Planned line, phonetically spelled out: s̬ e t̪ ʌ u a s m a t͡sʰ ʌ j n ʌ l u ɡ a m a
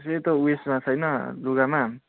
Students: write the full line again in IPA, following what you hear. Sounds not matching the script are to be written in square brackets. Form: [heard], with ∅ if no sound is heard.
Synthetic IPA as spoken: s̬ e t̪ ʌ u [e] s m a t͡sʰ ʌ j n ʌ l u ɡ a m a